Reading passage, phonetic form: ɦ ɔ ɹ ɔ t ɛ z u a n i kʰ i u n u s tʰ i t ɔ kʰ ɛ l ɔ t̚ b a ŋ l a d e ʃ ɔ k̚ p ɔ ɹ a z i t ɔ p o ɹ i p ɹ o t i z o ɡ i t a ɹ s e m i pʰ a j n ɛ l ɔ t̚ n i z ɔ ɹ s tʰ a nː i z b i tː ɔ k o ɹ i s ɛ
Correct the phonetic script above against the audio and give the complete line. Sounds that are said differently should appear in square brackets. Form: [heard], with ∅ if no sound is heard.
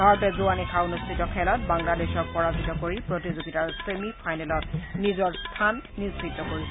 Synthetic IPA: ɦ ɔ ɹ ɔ t ɛ z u a n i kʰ [a] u n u s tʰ i t ɔ kʰ ɛ l ɔ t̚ b a ŋ l a d e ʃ ɔ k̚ p ɔ ɹ a z i t ɔ [k] o ɹ i p ɹ o t i z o ɡ i t a ɹ s e m i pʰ a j n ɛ l ɔ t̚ n i z ɔ ɹ s tʰ a nː i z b i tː ɔ k o ɹ i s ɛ

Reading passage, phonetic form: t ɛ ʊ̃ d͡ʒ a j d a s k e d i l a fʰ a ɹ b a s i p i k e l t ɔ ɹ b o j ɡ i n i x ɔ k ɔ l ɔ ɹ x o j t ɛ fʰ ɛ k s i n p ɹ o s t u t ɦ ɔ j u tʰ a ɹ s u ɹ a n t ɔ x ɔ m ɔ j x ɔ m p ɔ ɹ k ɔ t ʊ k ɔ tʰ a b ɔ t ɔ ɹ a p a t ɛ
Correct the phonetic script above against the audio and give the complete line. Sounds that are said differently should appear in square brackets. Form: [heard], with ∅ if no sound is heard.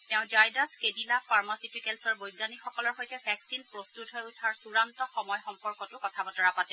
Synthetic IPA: t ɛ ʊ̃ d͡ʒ a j d a s k e d i l a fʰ a ɹ [m] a s i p i k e l [s] ɔ ɹ b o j ɡ [a] n i x ɔ k ɔ l ɔ ɹ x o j t ɛ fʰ ɛ k s i n p ɹ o s t u t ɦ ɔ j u tʰ a ɹ s u ɹ a n t ɔ x ɔ m ɔ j x ɔ m p ɔ ɹ k ɔ t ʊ k ɔ tʰ a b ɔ t ɔ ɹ a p a t ɛ

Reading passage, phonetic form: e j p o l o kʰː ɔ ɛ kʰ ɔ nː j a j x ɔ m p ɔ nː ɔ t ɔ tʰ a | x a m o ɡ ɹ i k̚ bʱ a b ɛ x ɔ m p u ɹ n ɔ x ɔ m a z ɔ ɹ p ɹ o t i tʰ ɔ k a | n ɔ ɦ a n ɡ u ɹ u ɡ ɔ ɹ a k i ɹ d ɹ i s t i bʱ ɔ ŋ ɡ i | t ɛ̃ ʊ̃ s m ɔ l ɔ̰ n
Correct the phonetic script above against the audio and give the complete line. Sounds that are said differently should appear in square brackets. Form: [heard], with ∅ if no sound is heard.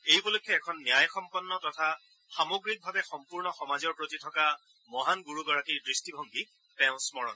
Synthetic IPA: e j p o l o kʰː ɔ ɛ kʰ ɔ nː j a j x ɔ m p ɔ nː ɔ t ɔ tʰ a | x a m o ɡ ɹ i k̚ bʱ a b ɛ x ɔ m p u ɹ n ɔ x ɔ m a z ɔ ɹ p ɹ o t i tʰ ɔ k a | [m] ɔ ɦ a n ɡ u ɹ u ɡ ɔ ɹ a k i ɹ d ɹ i s t i bʱ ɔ ŋ ɡ i | t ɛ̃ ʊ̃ s m ɔ [ɹ] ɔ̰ n

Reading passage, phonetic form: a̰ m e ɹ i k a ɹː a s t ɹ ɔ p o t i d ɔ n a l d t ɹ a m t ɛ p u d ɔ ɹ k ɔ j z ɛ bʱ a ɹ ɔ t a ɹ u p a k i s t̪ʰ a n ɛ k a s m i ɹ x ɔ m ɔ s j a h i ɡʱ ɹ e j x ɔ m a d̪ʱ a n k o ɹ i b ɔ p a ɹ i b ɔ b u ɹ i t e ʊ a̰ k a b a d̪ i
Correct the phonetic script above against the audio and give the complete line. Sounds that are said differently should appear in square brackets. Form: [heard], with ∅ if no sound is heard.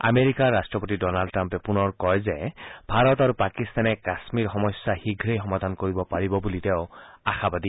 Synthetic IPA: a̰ m e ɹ i k a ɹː a s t ɹ ɔ p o t i d ɔ n a l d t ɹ a m [p] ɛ p u [n] ɔ ɹ k ɔ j z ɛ bʱ a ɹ ɔ t a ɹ u p a k i s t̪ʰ a n ɛ k a s m i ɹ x ɔ m ɔ s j a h i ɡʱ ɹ e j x ɔ m a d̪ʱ a n k o ɹ i b ɔ p a ɹ i b ɔ b u [l] i t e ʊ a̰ [x] a b a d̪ i

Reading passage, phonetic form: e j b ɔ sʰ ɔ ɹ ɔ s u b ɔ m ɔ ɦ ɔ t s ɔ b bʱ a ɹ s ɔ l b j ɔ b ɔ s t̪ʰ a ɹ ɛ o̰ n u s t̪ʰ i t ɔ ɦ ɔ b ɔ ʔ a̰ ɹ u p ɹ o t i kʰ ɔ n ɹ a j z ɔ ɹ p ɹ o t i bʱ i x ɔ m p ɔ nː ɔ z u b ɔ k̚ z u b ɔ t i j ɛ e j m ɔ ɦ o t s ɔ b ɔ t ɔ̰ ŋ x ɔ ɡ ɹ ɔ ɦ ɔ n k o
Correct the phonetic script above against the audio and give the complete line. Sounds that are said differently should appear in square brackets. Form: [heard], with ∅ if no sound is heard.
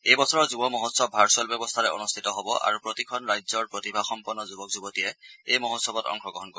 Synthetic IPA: e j b ɔ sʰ ɔ ɹ ɔ [z] u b ɔ m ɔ ɦ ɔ t s ɔ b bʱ a ɹ s ɔ l b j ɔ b ɔ s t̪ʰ a ɹ ɛ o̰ n u s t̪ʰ i t ɔ ɦ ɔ b ɔ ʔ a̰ ɹ u p ɹ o t i kʰ ɔ n ɹ a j z ɔ ɹ p ɹ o t i bʱ [a] x ɔ m p ɔ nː ɔ z u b ɔ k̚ z u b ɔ t i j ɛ e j m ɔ ɦ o t s ɔ b ɔ t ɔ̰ ŋ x ɔ ɡ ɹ ɔ ɦ ɔ n k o

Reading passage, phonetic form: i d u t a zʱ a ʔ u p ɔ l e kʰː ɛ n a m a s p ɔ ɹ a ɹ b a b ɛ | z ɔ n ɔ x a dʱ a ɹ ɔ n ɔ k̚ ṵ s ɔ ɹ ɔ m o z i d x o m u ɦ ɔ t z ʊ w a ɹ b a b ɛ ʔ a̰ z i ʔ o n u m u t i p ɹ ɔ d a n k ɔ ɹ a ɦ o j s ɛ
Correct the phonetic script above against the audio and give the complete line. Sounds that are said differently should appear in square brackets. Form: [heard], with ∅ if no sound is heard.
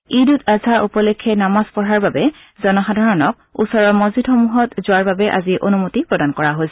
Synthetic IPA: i d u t a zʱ a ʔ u p ɔ l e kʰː ɛ n a m a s p ɔ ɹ a ɹ b a b ɛ | z ɔ n ɔ x a dʱ a ɹ ɔ n ɔ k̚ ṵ s ɔ ɹ ɔ m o z i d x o m u ɦ ɔ t z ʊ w a ɹ b a b ɛ ʔ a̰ z i ʔ o n u m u t i p ɹ ɔ d a n k ɔ ɹ a ɦ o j s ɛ

